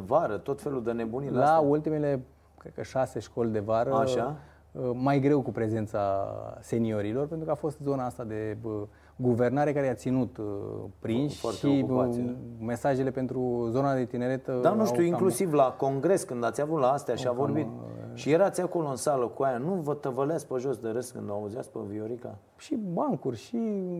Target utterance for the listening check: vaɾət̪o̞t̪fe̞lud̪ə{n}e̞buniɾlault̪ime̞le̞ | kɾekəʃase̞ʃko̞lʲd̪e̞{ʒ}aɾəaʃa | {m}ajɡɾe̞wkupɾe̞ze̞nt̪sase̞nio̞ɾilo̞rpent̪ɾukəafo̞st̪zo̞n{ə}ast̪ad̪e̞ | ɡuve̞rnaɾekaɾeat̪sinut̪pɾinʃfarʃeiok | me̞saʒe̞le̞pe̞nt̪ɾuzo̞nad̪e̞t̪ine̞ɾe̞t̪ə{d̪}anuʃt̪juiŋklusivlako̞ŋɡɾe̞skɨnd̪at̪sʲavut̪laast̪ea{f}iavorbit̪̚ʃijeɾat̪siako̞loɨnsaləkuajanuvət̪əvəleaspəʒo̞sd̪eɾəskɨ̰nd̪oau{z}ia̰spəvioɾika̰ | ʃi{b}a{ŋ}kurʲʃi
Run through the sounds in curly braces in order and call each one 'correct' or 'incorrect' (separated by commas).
correct, incorrect, correct, incorrect, correct, incorrect, correct, correct, correct